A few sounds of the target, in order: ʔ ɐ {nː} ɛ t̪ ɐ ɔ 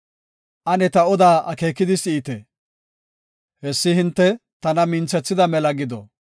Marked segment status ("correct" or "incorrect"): incorrect